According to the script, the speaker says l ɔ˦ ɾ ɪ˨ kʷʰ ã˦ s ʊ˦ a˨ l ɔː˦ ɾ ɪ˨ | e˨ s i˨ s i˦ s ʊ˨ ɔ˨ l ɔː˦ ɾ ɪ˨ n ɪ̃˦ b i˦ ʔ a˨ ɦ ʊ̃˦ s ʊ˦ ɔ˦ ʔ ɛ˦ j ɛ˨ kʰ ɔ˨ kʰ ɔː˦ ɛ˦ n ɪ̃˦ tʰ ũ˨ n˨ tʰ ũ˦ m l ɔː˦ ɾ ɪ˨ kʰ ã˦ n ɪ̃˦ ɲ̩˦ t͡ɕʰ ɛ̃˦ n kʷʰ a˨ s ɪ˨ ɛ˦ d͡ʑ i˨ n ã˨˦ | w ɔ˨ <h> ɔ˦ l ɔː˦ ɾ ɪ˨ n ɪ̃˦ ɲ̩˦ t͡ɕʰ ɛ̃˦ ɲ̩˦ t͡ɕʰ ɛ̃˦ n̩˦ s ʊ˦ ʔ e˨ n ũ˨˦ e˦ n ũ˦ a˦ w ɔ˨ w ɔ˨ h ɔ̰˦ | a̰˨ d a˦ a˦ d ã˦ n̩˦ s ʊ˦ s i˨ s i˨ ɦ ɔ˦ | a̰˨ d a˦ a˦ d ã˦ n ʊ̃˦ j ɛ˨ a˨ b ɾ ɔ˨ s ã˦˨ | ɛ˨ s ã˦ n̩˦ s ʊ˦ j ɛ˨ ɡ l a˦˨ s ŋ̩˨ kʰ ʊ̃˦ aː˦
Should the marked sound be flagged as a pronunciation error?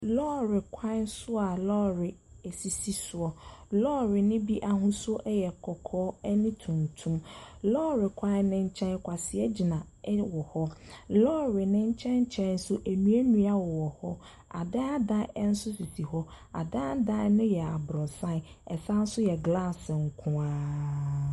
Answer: no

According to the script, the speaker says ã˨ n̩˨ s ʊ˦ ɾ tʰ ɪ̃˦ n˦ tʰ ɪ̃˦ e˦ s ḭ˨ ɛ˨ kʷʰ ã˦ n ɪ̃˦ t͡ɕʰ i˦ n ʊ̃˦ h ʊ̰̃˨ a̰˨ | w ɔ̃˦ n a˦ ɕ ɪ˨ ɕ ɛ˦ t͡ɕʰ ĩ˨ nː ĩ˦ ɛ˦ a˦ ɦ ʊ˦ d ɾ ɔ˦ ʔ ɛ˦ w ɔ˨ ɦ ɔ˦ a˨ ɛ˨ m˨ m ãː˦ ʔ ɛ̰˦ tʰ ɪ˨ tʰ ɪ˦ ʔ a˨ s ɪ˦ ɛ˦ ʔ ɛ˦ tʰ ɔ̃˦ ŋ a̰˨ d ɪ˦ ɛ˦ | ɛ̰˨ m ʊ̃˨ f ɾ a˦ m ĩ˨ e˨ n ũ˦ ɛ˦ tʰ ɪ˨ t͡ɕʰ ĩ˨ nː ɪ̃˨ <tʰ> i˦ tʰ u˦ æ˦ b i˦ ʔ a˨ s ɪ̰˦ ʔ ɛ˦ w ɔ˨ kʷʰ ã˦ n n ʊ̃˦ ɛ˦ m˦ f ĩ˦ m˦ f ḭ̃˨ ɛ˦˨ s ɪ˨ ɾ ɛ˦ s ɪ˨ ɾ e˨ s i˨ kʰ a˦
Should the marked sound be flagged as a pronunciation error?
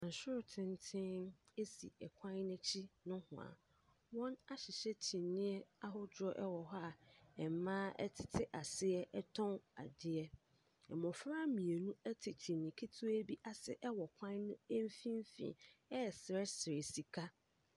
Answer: yes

